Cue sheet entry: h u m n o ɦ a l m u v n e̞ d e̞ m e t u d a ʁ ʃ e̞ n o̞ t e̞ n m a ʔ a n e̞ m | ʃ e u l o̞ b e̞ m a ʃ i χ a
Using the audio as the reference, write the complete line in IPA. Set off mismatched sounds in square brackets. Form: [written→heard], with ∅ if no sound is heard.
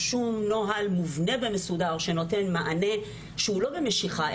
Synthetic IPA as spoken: [h→ʃ] u m n o ɦ a l m u v n e̞ [d→b] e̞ m e [t→s] u d a ʁ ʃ e̞ n o̞ t e̞ n m a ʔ a n e̞ [m→∅] | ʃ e u l o̞ b e̞ m [a→e] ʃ i χ a